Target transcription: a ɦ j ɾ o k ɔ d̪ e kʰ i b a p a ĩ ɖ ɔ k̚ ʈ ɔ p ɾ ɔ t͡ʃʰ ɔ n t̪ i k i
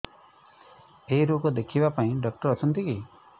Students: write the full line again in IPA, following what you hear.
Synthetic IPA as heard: e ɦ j ɾ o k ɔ d̪ e kʰ i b a p a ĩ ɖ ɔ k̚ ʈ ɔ ɾ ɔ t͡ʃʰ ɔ n t̪ i k i